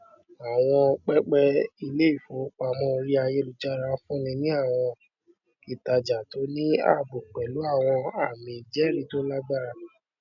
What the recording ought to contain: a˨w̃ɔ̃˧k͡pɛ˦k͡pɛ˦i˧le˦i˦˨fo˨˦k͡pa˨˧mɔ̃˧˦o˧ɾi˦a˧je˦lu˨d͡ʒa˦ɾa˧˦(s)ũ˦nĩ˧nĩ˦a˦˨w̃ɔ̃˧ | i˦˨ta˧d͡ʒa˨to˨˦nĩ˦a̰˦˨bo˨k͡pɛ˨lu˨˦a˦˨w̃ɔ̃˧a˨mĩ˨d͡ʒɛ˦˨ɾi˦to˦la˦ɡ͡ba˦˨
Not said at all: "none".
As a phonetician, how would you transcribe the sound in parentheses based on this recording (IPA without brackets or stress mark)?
f